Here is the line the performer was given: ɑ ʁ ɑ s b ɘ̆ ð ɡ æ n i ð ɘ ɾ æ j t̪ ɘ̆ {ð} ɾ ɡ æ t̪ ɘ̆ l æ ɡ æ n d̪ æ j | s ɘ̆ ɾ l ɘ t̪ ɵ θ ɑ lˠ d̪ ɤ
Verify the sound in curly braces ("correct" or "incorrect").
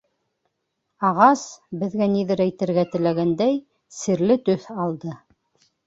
incorrect